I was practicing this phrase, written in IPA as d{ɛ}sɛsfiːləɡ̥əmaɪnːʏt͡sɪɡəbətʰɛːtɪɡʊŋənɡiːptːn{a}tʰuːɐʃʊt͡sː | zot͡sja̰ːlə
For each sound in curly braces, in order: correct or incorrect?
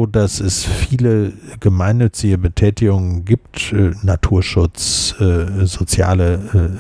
incorrect: a, correct

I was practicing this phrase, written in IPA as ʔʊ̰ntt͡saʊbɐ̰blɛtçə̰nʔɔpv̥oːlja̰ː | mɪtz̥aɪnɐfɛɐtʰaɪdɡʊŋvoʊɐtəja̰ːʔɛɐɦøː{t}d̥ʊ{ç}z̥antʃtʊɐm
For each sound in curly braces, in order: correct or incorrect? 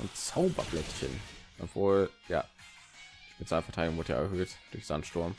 correct, correct

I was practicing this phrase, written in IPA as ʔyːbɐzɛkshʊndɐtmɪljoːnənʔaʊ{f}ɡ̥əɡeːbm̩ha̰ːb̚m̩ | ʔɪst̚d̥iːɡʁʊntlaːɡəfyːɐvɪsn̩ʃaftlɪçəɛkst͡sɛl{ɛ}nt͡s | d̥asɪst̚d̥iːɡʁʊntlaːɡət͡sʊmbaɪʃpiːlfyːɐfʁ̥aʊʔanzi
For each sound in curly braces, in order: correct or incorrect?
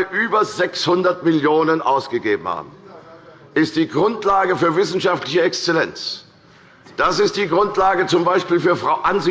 incorrect: s, correct

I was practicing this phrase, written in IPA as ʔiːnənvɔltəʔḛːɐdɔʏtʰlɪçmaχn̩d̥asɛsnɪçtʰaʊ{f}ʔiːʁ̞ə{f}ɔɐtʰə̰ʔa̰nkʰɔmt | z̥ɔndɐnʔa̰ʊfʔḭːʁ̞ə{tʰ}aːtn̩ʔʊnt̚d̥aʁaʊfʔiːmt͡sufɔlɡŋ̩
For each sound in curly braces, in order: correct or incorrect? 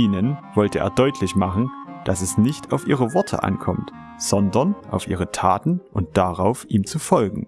correct, incorrect: v, correct

